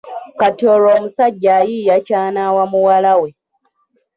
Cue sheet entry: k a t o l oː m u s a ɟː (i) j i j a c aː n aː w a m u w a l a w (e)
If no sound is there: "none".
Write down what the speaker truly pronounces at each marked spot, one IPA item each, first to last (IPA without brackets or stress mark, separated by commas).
a, e